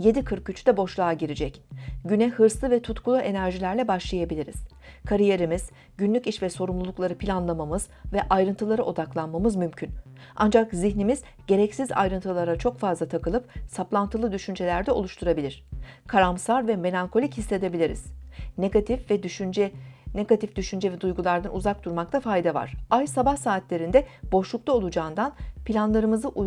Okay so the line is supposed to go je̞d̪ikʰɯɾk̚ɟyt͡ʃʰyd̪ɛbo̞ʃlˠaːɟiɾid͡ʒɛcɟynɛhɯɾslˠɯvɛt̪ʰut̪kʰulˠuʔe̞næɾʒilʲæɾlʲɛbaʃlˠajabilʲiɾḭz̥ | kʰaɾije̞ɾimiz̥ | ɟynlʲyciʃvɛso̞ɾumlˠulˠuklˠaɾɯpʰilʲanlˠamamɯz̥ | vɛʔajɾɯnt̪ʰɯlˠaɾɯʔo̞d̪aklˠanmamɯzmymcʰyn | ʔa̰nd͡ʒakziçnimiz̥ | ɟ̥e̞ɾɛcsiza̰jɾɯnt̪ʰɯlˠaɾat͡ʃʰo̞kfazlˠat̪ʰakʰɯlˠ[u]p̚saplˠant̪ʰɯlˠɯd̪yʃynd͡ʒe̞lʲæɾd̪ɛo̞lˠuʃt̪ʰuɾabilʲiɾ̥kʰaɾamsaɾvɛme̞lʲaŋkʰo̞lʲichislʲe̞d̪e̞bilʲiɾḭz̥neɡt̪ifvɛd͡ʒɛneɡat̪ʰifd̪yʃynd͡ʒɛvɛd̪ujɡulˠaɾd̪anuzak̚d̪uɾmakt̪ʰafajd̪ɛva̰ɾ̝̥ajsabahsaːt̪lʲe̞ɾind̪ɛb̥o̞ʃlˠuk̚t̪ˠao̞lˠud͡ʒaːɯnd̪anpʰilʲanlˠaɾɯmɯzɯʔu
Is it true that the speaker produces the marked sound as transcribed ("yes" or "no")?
no